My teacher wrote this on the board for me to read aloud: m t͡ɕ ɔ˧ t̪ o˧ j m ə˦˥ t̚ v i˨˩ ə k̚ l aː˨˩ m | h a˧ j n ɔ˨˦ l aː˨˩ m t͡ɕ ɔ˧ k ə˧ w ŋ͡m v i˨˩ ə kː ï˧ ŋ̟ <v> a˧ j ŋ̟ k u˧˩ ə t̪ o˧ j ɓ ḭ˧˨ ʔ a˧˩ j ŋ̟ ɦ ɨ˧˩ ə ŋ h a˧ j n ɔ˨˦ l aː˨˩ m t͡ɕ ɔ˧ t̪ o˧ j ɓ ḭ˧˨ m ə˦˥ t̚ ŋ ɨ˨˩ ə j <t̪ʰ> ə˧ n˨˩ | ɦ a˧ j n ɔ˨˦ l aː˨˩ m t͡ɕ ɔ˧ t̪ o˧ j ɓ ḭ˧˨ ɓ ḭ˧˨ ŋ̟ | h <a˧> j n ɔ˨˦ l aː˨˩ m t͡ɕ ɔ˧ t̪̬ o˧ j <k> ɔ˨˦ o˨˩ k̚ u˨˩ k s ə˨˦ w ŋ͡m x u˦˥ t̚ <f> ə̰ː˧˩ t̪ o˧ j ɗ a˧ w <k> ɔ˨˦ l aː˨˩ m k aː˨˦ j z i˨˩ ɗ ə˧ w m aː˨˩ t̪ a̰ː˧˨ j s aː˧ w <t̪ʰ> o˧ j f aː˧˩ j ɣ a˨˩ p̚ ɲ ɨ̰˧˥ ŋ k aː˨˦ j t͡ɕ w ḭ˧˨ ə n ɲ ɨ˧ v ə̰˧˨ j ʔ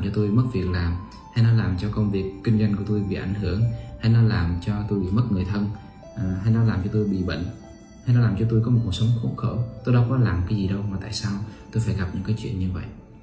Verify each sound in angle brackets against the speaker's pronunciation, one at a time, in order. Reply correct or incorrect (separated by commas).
incorrect, correct, correct, correct, incorrect, correct, incorrect